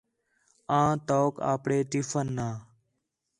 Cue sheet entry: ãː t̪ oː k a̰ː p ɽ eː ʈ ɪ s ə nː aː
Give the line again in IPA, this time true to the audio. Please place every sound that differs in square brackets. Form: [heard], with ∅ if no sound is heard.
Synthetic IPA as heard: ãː t̪ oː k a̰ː p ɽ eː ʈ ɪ [f] ə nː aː